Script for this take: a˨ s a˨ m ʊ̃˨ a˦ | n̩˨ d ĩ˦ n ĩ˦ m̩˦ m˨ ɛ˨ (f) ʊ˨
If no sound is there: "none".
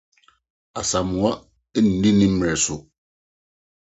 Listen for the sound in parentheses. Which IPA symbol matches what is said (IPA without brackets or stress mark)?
s